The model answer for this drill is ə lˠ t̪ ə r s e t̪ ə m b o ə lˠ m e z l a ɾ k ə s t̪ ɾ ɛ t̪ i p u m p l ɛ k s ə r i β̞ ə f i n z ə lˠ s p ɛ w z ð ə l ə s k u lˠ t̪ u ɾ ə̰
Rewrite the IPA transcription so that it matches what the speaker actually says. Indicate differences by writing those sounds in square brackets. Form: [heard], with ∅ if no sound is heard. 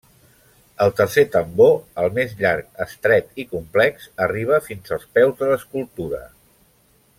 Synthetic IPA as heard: ə lˠ t̪ ə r s e t̪ ə m b o ə lˠ m e z [ʎ] a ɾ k ə s t̪ ɾ ɛ t̪ i [k] u m p l ɛ k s ə r i β̞ ə f i n z ə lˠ s p ɛ w z ð ə l ə s k u lˠ t̪ u ɾ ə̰